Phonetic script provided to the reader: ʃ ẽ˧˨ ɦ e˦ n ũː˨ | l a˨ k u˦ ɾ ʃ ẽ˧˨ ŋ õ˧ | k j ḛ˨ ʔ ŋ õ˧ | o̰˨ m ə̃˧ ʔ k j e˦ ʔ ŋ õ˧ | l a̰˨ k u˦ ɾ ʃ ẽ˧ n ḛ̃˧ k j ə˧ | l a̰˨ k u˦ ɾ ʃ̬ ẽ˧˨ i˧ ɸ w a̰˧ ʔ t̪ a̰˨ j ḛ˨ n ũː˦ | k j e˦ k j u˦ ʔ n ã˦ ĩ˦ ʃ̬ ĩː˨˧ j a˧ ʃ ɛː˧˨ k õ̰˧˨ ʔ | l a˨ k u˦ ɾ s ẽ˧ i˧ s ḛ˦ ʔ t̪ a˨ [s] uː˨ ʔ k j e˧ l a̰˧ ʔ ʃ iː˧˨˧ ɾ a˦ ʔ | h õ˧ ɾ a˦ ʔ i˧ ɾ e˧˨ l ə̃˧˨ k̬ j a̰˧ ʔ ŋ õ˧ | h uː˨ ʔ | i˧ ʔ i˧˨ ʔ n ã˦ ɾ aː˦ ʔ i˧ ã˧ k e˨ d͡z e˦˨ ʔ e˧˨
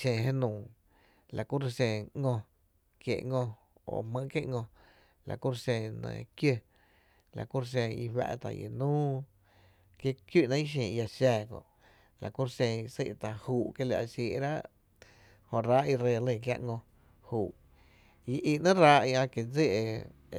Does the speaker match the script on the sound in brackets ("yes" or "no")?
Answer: no